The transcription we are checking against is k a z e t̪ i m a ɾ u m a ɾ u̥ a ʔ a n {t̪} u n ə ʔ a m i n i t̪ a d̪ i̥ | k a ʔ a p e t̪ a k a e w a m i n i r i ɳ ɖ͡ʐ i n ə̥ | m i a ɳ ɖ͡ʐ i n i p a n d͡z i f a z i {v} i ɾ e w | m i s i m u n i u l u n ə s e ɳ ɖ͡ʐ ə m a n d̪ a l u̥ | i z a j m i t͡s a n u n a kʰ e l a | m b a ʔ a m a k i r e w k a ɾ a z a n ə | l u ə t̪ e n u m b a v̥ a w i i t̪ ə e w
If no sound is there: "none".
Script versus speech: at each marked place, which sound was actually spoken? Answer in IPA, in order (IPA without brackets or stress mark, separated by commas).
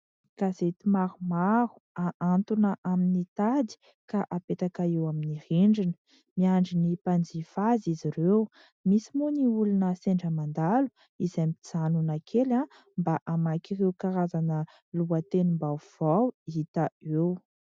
t̪, z